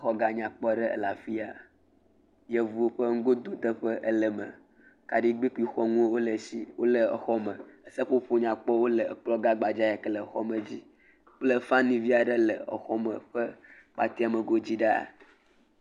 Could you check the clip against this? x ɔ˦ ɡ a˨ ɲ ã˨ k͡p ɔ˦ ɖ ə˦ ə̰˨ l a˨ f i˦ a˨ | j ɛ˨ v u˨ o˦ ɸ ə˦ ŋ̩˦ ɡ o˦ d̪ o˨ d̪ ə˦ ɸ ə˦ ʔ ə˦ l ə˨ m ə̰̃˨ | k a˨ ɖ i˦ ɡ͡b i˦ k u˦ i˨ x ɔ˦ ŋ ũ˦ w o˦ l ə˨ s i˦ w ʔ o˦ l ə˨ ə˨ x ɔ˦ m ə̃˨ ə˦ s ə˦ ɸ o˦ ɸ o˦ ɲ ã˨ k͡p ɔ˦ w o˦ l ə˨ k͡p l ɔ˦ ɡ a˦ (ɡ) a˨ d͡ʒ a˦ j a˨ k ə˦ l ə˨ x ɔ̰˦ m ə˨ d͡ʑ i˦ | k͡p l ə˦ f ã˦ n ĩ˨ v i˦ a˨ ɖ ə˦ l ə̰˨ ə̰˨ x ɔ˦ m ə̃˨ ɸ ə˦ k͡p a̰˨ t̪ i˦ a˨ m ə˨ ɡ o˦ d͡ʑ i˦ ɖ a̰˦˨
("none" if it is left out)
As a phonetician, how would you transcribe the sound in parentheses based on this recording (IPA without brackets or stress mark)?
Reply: ɡ͡b